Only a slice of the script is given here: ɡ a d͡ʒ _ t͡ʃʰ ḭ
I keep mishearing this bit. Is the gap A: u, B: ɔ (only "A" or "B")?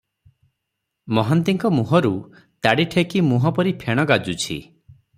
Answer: A